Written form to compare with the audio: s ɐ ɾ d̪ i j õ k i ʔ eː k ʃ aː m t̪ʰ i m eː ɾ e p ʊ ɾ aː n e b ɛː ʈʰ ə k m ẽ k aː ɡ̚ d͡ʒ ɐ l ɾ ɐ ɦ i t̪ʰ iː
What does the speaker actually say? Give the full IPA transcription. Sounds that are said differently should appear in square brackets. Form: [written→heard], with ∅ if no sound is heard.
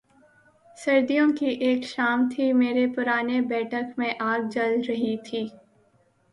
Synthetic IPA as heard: s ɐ ɾ d̪ i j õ k i ʔ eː k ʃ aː m t̪ʰ i m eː ɾ e p ʊ ɾ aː n e b ɛː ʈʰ ə k m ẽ [k→ʔ] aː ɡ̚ d͡ʒ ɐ l ɾ ɐ ɦ i t̪ʰ iː